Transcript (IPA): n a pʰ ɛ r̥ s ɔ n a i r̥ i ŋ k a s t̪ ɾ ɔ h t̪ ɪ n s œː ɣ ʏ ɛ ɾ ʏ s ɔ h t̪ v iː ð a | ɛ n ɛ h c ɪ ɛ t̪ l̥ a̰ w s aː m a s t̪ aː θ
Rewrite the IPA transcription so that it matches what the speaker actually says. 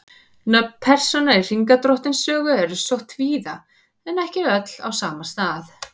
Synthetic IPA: n a pʰ ɛ r̥ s ɔ n a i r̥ i ŋ k a t̪ ɾ ɔ h t̪ ɪ n s œː ɣ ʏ ɛ ɾ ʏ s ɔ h t̪ v iː ð a | ɛ n ɛ h c ɪ œ t̪ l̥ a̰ w s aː m a s t̪ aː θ